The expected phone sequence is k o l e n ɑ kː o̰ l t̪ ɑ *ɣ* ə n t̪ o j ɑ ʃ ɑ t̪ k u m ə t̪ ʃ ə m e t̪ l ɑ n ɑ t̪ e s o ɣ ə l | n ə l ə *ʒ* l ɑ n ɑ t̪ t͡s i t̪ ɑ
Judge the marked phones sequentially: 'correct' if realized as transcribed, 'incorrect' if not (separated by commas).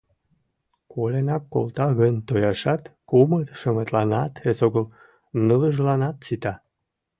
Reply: correct, correct